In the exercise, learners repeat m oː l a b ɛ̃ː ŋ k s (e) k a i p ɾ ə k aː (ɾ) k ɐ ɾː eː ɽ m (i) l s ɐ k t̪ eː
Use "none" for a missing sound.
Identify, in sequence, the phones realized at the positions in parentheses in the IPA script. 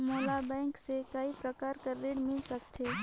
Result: e, ɾ, ɪ

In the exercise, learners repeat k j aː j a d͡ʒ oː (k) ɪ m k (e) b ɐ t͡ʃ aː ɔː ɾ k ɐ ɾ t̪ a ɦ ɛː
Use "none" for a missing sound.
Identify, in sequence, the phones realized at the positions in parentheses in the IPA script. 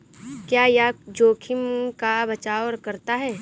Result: kʰ, a

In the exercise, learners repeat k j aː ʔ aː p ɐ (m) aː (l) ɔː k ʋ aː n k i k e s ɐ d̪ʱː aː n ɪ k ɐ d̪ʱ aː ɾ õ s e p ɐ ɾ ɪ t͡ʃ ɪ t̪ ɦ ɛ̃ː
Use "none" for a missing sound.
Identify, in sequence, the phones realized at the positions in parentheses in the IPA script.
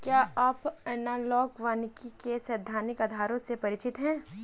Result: n, l

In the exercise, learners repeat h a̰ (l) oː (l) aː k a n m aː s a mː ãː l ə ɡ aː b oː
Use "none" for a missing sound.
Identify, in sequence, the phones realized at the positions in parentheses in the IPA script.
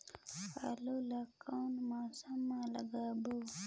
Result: l, l

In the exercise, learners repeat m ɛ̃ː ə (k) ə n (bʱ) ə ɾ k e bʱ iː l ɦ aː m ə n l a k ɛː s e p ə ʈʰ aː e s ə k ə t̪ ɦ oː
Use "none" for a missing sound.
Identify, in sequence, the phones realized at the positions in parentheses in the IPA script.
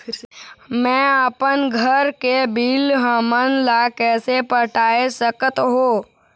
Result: p, ɡʱ

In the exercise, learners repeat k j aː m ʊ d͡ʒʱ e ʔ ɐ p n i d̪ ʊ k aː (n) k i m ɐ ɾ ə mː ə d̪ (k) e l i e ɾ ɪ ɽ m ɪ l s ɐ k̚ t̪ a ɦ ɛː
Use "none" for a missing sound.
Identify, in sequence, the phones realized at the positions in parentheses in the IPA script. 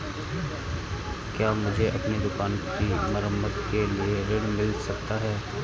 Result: n, k

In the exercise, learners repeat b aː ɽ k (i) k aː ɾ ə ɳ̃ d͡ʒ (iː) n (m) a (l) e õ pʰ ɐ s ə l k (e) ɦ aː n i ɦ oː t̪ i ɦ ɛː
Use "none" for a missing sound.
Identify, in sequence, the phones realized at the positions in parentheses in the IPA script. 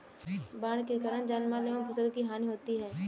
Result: e, aː, m, l, i

